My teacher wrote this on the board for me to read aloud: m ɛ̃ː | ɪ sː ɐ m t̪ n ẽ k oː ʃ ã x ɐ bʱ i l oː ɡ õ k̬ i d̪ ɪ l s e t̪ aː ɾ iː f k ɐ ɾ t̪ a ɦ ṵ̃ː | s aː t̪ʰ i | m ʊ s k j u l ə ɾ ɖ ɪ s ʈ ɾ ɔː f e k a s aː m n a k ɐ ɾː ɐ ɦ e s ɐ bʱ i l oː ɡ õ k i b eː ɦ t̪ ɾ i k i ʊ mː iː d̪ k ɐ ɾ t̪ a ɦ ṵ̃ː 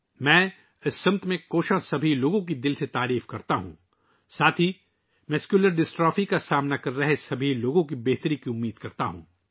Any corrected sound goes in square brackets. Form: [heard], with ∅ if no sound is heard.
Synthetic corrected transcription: m ɛ̃ː | ɪ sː ɐ m t̪ [m] ẽ k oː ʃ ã [s] ɐ bʱ i l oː ɡ õ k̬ i d̪ ɪ l s e t̪ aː ɾ iː f k ɐ ɾ t̪ a ɦ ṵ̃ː | s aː t̪ʰ i | m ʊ s k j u l ə ɾ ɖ ɪ s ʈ ɾ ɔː f [i] k a s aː m n a k ɐ ɾː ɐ ɦ e s ɐ bʱ i l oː ɡ õ k i b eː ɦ t̪ ɾ i k i ʊ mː iː d̪ k ɐ ɾ t̪ a ɦ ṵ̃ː

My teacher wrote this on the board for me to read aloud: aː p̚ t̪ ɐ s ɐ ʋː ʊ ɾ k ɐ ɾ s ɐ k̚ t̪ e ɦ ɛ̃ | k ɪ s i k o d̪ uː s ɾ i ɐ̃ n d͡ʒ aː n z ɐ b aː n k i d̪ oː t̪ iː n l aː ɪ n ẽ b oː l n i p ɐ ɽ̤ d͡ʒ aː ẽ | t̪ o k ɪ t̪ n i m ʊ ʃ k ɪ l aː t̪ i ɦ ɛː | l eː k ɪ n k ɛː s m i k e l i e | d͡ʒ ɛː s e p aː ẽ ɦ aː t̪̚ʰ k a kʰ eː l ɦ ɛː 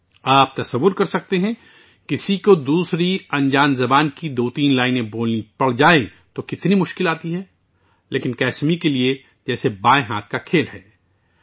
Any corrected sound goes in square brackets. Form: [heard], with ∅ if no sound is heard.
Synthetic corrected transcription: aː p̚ t̪ ɐ s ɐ ʋː ʊ ɾ k ɐ ɾ s ɐ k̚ t̪ e ɦ ɛ̃ | k ɪ s i k o d̪ uː s ɾ i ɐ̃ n d͡ʒ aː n z ɐ b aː n k i d̪ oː t̪ iː n l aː ɪ n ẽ b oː l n i p ɐ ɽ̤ d͡ʒ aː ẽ | t̪ o k ɪ t̪ n i m ʊ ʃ k ɪ l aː t̪ i ɦ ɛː | l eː k ɪ n k ɛː s m i k e l i e | d͡ʒ ɛː s e [b] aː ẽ ɦ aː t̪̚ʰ k a kʰ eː l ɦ ɛː

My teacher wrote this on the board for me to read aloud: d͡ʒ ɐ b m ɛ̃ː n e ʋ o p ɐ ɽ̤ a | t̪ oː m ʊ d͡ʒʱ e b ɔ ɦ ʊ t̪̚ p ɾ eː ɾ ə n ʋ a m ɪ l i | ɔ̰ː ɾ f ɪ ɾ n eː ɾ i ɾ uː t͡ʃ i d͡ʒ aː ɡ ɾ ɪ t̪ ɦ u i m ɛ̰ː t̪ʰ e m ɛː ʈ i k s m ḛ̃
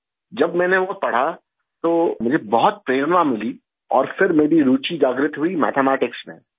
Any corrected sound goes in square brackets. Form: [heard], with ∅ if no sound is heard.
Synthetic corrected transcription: d͡ʒ ɐ b m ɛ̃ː n e ʋ o p ɐ ɽ̤ a | t̪ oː m ʊ d͡ʒʱ e b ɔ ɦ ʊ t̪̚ p ɾ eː ɾ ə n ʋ a m ɪ l i | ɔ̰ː ɾ f ɪ ɾ [m] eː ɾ i ɾ uː t͡ʃ i d͡ʒ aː ɡ ɾ ɪ t̪ ɦ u i m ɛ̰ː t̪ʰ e m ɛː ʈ [ɪ] k s m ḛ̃

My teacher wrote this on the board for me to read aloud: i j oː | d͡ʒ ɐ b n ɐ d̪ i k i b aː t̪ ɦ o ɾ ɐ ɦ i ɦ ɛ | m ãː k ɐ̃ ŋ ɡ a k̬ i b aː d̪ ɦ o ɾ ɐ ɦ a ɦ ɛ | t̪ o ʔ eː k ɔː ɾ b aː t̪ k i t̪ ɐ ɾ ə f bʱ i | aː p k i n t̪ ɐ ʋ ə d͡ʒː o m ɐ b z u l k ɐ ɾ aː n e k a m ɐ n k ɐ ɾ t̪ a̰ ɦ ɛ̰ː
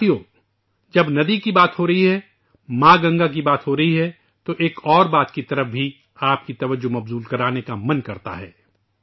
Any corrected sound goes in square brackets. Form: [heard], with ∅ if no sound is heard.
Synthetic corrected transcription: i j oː | d͡ʒ ɐ b n ɐ d̪ i k i b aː t̪ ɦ o ɾ ɐ ɦ i ɦ ɛ | m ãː [ɡ] ɐ̃ ŋ ɡ a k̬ i b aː [t̪] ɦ o ɾ ɐ ɦ [i] ɦ ɛ | t̪ o ʔ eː k ɔː ɾ b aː t̪ k i t̪ ɐ ɾ ə f bʱ i | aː p k i [∅] t̪ ɐ ʋ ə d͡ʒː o m ɐ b z [uː] l k ɐ ɾ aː n e k a m ɐ n k ɐ ɾ t̪ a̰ ɦ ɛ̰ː

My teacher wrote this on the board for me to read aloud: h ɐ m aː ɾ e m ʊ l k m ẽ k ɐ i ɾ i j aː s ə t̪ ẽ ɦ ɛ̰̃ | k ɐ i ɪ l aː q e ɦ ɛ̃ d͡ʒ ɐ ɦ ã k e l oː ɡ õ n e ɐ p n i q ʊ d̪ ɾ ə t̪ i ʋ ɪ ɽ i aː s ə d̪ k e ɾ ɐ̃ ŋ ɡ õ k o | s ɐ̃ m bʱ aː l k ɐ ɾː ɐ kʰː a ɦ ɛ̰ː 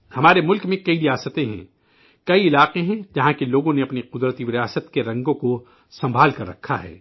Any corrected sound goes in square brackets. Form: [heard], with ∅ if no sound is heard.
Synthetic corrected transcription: h ɐ m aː ɾ e m ʊ l k m ẽ k ɐ i ɾ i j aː s ə t̪ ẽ ɦ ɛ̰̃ | k ɐ i ɪ l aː q e ɦ ɛ̃ d͡ʒ ɐ ɦ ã k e l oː ɡ õ n e ɐ p n i q ʊ d̪ ɾ ə t̪ i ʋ ɪ [ɾ] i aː s ə [t̪] k e ɾ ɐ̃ ŋ ɡ õ k o | s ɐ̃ m bʱ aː l k ɐ ɾː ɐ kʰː a ɦ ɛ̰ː

